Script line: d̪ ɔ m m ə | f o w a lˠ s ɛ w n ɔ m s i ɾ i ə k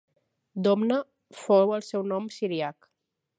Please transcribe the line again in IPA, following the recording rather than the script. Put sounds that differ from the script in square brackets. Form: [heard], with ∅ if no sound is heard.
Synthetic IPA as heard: d̪ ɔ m [n] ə | f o w [ə] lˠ s ɛ w n ɔ m s i ɾ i [a] k